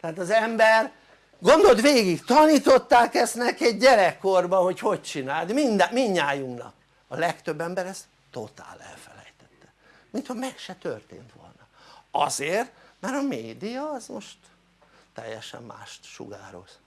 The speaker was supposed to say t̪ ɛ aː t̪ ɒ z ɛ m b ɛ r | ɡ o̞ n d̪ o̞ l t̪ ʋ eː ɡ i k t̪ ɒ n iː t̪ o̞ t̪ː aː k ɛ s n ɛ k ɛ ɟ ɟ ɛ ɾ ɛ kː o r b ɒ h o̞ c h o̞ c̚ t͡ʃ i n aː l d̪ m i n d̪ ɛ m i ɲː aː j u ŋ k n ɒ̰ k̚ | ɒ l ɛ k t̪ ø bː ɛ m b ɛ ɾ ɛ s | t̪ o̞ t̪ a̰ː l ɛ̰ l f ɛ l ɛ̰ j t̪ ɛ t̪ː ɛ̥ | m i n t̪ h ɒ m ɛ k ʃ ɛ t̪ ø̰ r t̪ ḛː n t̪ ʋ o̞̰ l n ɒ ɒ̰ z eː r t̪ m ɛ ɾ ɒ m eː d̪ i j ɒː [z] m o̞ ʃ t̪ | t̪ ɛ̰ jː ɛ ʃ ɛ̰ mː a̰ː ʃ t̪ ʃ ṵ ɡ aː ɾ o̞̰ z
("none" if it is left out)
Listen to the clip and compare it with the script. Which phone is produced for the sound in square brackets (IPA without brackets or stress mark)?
z